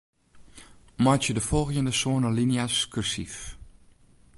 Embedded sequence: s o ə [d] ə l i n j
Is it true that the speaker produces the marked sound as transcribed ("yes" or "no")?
no